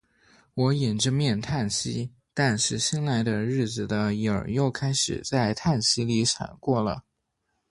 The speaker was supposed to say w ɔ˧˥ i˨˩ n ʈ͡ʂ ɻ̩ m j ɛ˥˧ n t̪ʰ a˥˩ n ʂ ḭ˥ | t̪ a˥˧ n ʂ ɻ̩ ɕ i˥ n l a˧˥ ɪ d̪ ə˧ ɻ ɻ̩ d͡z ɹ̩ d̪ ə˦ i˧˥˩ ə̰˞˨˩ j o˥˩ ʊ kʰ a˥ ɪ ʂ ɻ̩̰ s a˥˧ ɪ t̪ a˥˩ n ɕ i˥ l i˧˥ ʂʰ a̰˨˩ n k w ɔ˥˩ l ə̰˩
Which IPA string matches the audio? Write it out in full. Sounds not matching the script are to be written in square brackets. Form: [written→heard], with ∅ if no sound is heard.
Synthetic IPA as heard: w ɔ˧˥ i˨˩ n ʈ͡ʂ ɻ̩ m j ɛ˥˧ n t̪ʰ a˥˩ n [ʂ→ɕ] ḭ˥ | t̪ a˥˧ n ʂ ɻ̩ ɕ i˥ n l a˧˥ ɪ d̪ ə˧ ɻ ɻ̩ d͡z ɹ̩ d̪ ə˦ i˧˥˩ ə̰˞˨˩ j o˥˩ ʊ kʰ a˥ ɪ ʂ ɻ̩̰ [s→t͡s] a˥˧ ɪ [t̪→t̪ʰ] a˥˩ n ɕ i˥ l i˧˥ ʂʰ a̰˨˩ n k w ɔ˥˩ l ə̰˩